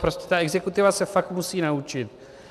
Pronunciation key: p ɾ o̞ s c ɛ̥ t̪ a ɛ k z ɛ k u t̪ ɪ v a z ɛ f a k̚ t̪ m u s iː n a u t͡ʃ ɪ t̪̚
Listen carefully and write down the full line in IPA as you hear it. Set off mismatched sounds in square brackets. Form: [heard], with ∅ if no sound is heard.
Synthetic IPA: p ɾ o̞ s c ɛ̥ t̪ a ɛ [ɡ] z ɛ k u t̪ ɪ v a [s] ɛ f a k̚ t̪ m u s iː n a u t͡ʃ ɪ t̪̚